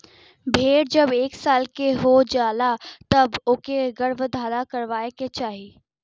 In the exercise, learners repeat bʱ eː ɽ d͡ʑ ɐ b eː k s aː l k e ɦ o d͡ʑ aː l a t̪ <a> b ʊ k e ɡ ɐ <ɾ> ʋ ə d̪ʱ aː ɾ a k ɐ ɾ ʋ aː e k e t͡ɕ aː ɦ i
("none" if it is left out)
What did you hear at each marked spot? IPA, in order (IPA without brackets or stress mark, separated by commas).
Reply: ɐ, ɽ